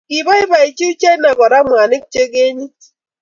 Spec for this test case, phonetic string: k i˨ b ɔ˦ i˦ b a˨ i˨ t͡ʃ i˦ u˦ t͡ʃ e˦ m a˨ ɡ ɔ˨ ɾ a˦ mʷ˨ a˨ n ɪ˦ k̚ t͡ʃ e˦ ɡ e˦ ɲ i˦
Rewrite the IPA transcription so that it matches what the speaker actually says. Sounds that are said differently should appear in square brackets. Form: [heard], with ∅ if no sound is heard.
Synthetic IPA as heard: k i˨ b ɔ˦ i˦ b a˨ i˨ t͡ʃ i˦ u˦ t͡ʃ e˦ [n] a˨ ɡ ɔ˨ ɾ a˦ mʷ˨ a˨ n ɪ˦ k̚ t͡ʃ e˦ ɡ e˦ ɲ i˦

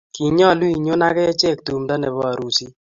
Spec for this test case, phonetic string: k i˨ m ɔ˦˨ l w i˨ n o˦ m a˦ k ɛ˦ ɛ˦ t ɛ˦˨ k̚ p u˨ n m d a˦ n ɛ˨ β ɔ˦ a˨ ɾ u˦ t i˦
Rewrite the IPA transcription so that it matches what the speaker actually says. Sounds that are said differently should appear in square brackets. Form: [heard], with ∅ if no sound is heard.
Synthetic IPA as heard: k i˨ [ɲ] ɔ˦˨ l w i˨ [ɲ] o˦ [n] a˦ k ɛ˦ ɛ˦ [t͡ʃ] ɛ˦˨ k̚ [t] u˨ [∅] m d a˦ n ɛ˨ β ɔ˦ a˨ ɾ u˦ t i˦

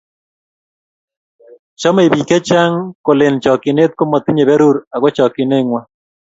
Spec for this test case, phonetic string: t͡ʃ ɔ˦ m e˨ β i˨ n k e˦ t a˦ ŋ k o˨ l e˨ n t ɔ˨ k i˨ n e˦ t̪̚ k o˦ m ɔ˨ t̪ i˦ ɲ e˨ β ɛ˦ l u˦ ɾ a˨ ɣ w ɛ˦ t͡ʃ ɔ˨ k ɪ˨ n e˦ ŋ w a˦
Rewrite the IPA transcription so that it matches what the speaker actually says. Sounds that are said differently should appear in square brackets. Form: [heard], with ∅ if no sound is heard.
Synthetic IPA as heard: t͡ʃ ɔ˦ m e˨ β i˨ [∅] k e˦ [t͡ʃ] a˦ ŋ k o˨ l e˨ n [t͡ʃ] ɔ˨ k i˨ n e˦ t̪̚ k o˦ m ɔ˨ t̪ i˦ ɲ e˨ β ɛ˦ [ɾ] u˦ ɾ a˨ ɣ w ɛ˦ t͡ʃ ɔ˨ k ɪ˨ n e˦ ŋ w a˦

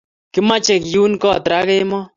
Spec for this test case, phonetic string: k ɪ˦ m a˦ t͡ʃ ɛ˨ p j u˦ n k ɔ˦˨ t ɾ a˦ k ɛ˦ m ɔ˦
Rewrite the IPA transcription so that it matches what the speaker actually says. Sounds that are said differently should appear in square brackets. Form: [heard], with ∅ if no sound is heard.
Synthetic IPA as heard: k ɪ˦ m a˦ t͡ʃ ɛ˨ [k] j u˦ n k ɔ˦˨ t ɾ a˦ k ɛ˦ m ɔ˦

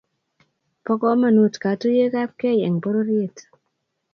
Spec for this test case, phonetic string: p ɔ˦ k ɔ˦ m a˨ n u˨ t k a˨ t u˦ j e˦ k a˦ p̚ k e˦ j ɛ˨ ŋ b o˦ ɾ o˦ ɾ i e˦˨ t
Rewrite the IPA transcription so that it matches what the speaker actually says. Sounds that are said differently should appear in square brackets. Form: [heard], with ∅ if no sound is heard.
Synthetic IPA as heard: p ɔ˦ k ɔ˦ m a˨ n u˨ t k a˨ t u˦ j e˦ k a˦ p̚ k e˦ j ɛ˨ ŋ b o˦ ɾ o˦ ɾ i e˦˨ t

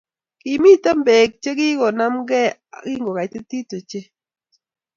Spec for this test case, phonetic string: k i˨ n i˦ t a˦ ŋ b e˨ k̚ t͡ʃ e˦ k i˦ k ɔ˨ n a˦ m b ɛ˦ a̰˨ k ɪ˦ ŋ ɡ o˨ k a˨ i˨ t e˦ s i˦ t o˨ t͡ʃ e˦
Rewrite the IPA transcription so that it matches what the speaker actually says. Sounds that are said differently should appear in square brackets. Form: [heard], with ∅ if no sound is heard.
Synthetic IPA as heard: k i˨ [m] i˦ t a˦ [m] b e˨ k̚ t͡ʃ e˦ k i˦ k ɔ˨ n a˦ m [ɡ] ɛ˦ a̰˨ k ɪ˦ ŋ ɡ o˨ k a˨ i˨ t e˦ [t] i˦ t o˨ t͡ʃ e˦

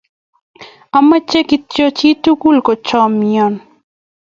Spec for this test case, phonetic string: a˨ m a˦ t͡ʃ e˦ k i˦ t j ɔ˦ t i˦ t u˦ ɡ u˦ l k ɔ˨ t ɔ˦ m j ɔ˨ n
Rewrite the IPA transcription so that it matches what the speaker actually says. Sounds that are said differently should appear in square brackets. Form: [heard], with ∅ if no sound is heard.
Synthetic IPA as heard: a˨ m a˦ t͡ʃ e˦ k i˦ t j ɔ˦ [t͡ʃ] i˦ t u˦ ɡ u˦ l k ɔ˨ [t͡ʃ] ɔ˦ m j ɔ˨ n

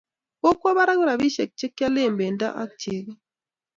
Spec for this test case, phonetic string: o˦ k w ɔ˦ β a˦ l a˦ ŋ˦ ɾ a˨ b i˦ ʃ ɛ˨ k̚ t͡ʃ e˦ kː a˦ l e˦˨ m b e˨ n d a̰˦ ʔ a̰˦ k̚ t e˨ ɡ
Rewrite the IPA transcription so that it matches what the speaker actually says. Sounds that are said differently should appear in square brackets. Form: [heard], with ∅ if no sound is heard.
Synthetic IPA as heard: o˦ k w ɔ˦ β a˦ [ɾ] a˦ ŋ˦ ɾ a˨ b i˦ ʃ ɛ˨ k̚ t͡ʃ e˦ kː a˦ l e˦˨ m b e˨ n d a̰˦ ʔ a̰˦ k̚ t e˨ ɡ

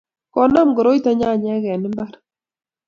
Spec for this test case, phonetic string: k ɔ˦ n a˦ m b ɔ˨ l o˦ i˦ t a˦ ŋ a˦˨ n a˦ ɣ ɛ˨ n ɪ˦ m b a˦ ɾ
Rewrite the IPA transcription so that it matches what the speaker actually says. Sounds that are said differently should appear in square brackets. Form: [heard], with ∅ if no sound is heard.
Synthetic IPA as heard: k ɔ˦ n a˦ m [ɡ] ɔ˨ [ɾ] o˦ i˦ t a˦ [ɲ] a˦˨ [ɲ] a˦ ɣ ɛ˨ n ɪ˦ m b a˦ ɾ

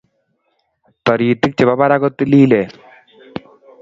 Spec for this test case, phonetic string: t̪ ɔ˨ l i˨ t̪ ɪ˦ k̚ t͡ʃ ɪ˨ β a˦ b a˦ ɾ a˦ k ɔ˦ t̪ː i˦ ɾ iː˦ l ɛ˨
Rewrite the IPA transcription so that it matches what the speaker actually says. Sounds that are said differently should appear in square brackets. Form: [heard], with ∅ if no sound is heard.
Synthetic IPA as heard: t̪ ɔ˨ [ɾ] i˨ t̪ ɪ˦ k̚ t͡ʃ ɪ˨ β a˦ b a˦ ɾ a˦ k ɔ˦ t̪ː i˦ [l] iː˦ l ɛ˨

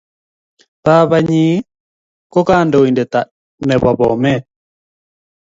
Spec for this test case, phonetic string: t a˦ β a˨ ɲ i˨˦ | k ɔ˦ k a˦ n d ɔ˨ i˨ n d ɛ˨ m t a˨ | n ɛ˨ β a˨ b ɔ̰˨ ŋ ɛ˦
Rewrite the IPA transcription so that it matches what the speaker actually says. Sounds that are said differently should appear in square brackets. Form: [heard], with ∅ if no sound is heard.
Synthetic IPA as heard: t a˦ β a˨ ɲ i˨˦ | k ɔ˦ k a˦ n d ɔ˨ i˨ n d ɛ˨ [∅] t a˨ | n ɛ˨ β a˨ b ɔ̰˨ [m] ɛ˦

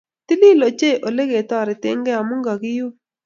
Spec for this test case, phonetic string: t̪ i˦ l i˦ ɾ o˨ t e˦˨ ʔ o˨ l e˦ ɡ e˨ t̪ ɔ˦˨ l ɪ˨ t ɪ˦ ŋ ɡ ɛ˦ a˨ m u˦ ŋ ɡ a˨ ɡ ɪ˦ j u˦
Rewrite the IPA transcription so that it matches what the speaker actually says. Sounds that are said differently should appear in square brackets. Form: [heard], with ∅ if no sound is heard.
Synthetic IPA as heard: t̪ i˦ l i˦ [l] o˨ [t͡ʃ] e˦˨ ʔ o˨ l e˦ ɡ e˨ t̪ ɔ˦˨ [ɾ] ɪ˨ t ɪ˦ ŋ ɡ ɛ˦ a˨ m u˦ ŋ ɡ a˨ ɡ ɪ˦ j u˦

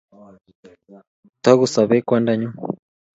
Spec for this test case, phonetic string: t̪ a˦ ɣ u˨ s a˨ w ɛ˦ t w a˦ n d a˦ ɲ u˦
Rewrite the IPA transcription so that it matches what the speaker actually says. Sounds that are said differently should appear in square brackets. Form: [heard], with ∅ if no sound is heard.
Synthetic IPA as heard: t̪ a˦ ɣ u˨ s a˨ [β] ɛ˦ [k] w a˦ n d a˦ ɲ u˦

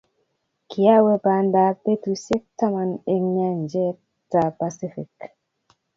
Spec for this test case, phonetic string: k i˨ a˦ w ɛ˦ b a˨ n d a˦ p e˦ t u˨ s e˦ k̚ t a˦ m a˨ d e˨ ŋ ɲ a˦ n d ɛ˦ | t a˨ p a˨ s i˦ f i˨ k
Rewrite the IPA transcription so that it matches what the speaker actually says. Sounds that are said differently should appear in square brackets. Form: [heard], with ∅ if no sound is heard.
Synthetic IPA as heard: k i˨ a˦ w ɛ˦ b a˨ n d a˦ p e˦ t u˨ s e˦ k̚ t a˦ m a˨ [n] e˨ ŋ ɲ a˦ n [d͡ʒ] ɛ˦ | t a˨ p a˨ s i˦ f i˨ k

